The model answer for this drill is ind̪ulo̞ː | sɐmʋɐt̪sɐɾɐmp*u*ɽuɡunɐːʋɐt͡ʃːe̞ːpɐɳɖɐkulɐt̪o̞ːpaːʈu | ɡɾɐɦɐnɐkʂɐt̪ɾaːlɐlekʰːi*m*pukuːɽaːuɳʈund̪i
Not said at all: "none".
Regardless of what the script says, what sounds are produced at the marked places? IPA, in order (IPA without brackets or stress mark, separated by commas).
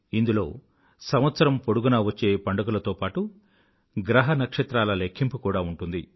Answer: o, m